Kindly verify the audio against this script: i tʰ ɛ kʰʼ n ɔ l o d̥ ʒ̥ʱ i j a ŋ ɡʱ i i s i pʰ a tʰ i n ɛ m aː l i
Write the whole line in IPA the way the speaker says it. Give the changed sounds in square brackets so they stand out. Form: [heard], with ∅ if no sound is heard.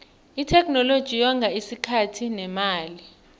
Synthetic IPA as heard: i tʰ ɛ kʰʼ n ɔ l o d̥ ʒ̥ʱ i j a ŋ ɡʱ [a] i s i [kʰ] a tʰ i n ɛ m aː l i